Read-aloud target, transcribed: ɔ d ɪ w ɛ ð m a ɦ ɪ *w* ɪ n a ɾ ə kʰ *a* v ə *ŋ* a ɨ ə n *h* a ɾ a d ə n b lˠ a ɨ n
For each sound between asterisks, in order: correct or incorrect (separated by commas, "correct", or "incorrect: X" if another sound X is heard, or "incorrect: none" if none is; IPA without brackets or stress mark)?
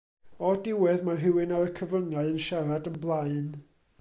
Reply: correct, incorrect: ə, correct, incorrect: ʃ